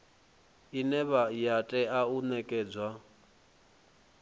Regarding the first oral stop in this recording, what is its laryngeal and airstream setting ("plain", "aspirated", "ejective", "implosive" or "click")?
ejective